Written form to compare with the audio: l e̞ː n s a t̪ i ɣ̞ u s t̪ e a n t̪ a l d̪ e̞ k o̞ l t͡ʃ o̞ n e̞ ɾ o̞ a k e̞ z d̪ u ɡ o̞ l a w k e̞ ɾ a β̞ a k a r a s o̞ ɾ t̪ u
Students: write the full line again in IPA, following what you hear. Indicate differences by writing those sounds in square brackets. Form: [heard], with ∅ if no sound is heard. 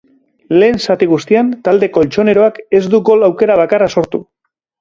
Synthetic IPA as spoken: l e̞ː n s a t̪ i ɣ̞ u s t̪ [i] a n t̪ a l d̪ e̞ k o̞ l t͡ʃ o̞ n e̞ ɾ o̞ a k e̞ z d̪ u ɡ o̞ l a w k e̞ ɾ a β̞ a k a r a s o̞ ɾ t̪ u